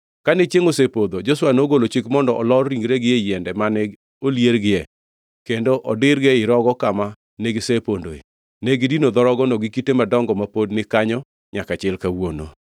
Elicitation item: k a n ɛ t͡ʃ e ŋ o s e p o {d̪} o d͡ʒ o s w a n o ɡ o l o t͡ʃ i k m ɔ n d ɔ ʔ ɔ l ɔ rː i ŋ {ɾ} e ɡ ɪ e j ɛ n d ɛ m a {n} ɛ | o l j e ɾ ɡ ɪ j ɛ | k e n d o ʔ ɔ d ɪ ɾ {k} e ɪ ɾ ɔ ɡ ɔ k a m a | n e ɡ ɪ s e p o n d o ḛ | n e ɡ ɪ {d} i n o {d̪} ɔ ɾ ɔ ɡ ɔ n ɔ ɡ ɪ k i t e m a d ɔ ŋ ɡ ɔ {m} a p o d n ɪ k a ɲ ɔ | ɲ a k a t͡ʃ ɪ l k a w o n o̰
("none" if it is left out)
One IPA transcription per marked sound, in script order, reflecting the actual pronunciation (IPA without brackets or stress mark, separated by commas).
d̪, ɾ, n, ɡ, d, d̪, m